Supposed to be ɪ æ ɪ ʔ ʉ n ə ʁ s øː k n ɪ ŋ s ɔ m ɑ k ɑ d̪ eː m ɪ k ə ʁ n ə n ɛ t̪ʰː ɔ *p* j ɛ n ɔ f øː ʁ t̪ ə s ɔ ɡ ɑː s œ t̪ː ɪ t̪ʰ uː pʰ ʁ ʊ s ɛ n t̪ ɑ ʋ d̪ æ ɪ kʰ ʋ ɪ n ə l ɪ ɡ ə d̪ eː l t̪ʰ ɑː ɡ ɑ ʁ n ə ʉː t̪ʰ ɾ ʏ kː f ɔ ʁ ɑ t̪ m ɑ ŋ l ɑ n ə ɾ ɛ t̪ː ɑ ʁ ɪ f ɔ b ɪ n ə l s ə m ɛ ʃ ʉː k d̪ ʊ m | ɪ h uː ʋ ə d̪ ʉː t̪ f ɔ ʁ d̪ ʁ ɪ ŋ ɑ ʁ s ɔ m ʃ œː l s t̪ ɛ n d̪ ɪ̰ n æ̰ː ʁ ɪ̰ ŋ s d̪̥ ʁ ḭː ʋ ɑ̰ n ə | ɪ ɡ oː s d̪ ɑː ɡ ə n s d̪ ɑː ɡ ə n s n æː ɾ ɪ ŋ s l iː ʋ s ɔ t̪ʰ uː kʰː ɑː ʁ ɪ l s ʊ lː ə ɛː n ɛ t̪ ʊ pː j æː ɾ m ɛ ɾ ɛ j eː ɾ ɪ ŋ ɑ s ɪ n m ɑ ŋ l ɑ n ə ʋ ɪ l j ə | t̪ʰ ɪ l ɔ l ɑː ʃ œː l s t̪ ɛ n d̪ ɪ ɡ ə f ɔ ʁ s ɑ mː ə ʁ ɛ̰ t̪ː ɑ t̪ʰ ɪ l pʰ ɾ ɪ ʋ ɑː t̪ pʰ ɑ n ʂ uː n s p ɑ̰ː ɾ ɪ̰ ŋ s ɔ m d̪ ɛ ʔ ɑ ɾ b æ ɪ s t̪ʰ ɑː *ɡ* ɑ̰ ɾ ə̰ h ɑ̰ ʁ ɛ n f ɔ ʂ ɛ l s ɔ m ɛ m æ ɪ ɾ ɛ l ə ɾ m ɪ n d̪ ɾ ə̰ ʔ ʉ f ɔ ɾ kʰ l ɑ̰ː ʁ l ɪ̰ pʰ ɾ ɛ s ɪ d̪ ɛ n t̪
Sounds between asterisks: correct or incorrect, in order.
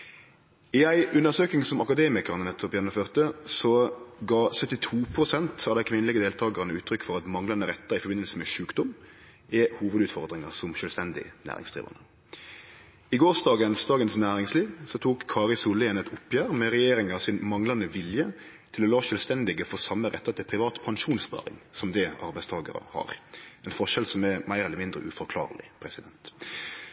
correct, correct

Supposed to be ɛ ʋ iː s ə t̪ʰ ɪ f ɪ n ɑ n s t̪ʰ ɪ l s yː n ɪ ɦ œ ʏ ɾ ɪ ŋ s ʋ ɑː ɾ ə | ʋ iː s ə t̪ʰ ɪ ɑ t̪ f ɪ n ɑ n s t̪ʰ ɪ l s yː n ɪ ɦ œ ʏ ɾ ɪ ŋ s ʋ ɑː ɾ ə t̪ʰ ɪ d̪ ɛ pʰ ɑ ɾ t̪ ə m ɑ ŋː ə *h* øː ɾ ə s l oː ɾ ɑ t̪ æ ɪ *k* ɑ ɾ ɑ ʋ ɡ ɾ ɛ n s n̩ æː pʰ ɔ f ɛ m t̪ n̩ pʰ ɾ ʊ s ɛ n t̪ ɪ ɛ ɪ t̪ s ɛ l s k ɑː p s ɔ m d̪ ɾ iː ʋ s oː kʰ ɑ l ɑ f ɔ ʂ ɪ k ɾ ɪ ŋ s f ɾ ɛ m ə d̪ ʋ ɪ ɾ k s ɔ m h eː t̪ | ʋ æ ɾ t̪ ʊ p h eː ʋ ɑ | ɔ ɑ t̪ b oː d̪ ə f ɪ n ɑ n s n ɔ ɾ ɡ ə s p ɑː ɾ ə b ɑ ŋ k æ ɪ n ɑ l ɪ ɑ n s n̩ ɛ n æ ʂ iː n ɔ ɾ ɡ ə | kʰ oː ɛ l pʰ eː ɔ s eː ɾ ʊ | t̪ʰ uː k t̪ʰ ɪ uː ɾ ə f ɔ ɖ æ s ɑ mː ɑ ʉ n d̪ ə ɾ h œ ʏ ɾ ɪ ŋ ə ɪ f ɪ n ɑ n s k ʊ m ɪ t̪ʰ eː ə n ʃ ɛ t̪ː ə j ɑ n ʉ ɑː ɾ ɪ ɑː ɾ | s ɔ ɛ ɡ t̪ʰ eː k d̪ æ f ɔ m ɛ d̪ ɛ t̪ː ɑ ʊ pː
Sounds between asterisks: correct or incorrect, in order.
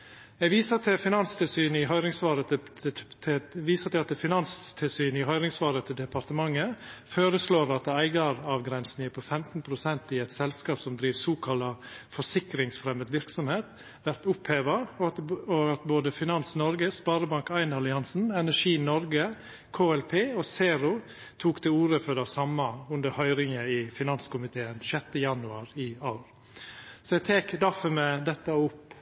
incorrect: f, incorrect: ɡ

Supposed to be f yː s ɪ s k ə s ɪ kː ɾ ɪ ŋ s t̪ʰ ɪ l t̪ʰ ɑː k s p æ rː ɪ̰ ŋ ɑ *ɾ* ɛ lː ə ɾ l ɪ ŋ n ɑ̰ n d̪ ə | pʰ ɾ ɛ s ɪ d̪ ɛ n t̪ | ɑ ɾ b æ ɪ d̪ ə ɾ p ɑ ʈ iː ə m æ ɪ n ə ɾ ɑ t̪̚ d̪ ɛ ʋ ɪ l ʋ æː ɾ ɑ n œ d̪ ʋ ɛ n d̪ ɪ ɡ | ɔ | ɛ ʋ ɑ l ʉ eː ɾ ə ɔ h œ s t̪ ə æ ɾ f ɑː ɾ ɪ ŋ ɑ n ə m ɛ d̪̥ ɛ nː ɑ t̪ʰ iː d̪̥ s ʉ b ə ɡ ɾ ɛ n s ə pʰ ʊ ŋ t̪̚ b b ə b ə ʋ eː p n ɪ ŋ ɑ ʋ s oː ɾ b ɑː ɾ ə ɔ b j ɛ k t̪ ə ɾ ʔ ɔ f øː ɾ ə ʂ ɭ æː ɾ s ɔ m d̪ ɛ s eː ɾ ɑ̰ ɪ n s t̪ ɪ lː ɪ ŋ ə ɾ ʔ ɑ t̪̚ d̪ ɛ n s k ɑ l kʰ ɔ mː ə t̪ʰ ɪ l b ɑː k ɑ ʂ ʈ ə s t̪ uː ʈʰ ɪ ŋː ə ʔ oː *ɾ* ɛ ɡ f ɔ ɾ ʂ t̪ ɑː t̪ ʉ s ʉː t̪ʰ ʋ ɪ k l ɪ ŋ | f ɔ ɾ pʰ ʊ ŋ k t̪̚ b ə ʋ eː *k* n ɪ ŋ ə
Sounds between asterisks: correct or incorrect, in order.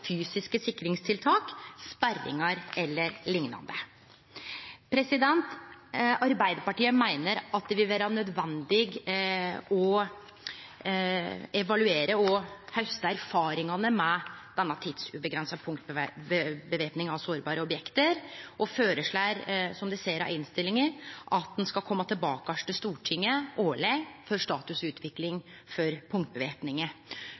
correct, incorrect: ɭ, incorrect: p

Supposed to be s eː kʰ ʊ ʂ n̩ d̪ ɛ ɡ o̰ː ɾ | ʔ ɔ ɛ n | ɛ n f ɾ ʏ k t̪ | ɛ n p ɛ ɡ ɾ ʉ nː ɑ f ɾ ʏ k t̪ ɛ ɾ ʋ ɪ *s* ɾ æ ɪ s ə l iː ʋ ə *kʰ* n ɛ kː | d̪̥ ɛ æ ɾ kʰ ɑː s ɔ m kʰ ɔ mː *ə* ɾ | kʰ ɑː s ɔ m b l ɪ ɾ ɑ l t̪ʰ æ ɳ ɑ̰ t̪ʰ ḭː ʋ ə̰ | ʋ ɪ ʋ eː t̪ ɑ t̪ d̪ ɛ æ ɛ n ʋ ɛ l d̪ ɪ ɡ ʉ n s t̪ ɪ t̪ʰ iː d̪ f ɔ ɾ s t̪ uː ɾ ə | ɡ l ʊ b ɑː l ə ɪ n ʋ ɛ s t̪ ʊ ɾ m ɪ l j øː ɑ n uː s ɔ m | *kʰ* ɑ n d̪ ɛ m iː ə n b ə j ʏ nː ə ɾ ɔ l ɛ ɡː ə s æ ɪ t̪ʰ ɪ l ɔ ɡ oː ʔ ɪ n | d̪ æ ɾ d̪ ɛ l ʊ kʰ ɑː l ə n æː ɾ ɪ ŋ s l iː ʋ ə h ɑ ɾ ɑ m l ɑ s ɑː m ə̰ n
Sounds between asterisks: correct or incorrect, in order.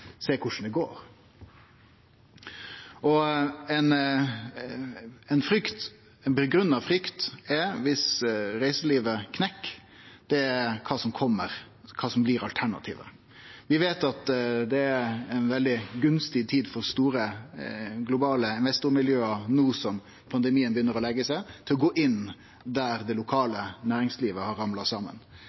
correct, correct, correct, incorrect: pʰ

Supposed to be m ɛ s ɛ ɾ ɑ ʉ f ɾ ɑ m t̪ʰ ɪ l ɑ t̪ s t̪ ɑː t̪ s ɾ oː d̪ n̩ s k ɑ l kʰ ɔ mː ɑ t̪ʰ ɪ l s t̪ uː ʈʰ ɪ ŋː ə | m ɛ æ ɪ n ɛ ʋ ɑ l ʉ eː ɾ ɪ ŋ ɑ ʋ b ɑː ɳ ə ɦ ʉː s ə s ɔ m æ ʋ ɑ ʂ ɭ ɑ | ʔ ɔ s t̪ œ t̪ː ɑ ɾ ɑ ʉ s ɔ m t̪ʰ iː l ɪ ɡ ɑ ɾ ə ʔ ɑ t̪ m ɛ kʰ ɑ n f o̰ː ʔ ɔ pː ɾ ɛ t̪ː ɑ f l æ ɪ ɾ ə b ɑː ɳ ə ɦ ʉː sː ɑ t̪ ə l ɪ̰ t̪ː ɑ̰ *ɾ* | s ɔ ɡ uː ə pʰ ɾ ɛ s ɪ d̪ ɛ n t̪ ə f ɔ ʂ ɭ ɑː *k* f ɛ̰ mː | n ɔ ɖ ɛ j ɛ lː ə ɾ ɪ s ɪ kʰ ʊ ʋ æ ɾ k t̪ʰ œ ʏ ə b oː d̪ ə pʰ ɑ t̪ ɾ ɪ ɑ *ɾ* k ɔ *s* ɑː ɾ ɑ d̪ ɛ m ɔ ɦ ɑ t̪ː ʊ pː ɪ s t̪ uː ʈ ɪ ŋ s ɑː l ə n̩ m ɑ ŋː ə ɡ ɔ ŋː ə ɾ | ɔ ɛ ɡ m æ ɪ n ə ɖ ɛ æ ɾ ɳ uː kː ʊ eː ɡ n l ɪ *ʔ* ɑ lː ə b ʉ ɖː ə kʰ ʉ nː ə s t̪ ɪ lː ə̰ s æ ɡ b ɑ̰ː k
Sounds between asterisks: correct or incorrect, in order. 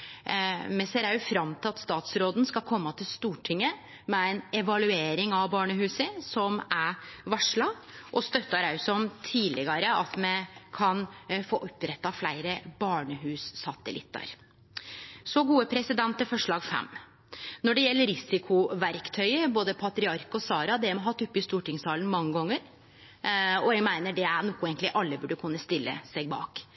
correct, incorrect: ɡ, correct, correct, correct

